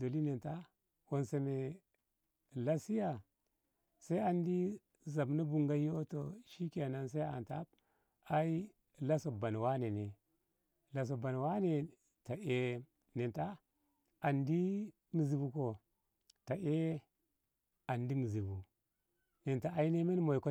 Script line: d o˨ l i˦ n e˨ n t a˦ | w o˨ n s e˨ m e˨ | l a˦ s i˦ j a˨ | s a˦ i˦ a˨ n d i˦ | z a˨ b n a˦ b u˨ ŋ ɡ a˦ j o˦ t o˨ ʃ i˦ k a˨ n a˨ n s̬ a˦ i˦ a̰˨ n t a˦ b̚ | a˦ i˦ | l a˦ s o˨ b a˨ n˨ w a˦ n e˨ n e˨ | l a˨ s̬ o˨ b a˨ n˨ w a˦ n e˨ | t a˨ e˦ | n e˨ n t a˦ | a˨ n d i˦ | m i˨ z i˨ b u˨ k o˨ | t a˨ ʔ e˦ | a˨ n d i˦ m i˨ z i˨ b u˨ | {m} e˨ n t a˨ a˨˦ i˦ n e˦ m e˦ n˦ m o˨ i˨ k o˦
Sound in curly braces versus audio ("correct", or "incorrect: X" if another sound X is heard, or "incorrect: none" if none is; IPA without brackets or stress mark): incorrect: n